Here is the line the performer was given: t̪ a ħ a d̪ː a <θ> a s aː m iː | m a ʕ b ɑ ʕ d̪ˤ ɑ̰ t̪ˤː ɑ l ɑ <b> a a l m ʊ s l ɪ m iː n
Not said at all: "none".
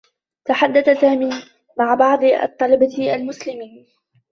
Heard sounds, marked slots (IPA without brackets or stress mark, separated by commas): θ, b